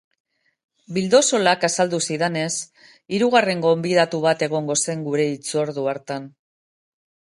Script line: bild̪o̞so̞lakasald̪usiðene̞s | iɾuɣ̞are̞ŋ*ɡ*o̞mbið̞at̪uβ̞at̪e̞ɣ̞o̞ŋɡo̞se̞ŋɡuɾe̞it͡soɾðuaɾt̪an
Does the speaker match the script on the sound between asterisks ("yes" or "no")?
yes